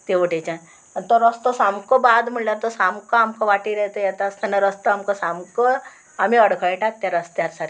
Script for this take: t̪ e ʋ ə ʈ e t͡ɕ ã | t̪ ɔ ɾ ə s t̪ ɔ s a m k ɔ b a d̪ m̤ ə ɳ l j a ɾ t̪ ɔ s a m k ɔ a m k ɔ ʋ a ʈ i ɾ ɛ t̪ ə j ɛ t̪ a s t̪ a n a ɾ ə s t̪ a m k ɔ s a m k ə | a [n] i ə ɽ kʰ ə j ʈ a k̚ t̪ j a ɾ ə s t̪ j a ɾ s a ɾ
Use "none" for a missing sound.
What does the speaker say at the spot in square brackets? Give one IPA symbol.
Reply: m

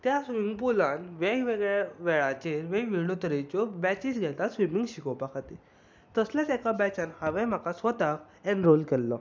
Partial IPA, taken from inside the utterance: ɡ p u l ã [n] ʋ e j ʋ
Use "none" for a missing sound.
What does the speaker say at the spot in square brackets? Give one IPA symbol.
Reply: n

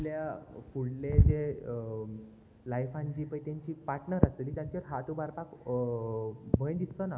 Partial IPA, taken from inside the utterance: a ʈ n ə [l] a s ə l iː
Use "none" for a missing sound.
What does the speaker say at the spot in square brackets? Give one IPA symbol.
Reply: ɾ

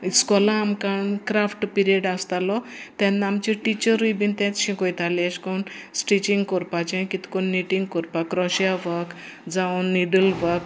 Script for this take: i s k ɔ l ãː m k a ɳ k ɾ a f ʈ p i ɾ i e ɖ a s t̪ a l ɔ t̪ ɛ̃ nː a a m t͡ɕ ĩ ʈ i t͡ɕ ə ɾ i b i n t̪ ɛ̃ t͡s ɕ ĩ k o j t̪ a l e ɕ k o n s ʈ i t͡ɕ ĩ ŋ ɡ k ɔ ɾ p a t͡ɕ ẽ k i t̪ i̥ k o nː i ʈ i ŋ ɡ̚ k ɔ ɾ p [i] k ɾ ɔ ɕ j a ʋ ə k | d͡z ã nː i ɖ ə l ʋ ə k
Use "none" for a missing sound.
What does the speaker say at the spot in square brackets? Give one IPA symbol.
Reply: a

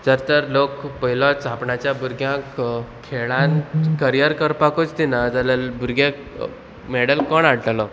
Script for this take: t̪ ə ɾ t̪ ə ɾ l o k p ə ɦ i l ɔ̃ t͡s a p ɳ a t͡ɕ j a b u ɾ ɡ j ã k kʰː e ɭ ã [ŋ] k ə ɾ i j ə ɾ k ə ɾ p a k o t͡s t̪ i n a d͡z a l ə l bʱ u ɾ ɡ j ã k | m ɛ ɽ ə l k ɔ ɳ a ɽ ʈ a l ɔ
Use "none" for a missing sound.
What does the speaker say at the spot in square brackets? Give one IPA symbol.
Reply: n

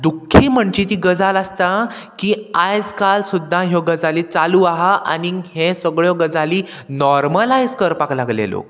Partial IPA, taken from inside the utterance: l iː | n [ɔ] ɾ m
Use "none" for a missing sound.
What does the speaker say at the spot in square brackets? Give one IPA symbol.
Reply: ɔ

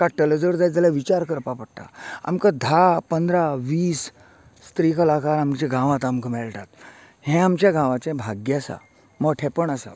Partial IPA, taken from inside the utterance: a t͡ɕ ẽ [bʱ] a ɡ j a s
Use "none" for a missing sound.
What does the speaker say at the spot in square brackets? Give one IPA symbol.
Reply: bʱ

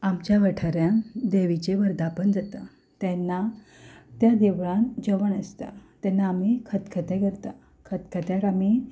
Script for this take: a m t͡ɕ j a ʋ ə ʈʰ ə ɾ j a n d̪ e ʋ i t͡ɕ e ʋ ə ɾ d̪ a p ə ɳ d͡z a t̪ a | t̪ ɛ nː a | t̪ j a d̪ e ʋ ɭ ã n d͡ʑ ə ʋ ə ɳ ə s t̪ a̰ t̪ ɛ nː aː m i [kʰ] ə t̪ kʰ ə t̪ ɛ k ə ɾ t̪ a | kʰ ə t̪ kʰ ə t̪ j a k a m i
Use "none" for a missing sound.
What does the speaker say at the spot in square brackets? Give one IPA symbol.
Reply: kʰ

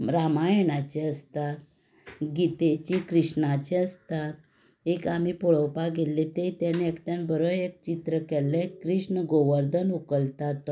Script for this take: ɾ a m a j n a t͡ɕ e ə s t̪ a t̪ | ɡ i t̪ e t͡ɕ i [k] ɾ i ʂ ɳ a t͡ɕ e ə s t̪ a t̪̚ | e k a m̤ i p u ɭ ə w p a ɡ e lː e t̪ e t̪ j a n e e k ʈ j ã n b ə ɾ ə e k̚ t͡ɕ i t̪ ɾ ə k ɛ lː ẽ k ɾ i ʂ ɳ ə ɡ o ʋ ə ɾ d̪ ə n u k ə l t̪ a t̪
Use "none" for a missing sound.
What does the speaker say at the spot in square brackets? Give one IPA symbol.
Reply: k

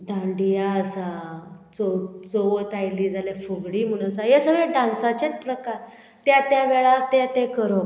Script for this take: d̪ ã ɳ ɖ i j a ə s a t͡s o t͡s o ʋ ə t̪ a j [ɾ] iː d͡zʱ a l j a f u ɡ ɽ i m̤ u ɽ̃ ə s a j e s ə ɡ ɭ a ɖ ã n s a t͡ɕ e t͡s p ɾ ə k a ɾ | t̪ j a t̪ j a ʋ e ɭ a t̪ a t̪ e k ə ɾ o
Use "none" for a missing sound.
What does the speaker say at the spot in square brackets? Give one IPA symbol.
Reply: l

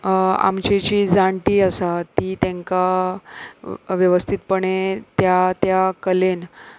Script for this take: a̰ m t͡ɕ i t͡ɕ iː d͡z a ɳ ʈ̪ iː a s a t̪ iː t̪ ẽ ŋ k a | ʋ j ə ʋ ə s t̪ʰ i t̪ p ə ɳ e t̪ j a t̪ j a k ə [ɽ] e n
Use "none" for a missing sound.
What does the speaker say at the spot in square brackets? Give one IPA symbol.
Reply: l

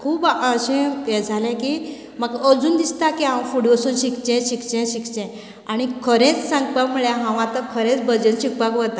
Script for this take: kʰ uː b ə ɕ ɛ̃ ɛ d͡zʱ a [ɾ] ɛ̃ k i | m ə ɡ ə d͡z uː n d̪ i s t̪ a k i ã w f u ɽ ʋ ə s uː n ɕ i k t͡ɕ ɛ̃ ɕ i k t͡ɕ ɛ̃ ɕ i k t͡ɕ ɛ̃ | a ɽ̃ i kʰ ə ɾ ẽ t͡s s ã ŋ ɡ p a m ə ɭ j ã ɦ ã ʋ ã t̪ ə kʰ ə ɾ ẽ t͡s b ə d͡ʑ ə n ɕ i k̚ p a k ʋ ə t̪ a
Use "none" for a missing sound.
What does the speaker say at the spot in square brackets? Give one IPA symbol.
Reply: l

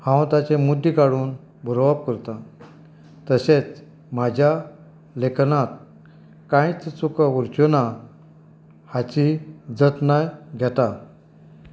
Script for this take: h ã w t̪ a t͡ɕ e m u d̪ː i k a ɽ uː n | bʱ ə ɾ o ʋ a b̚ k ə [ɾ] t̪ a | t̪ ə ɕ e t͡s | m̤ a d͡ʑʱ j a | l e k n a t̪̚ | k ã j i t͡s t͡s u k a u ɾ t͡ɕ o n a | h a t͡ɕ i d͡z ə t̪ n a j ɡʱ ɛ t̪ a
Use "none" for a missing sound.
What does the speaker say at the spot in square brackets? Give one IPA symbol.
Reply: ɾ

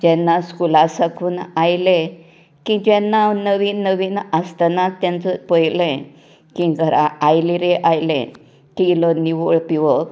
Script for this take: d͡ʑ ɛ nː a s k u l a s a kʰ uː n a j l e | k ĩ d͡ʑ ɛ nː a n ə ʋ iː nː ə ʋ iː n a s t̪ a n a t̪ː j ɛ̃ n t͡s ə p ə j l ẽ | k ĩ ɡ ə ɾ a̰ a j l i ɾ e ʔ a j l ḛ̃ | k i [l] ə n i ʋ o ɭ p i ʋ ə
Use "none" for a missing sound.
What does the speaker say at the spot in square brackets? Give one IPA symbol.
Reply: l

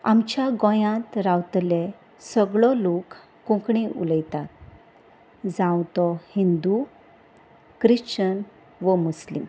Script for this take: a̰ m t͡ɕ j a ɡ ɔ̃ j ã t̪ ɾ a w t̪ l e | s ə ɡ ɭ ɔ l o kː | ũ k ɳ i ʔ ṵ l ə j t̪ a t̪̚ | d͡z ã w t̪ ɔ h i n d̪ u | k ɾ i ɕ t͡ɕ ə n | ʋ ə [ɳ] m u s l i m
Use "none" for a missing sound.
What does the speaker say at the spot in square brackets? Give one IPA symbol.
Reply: none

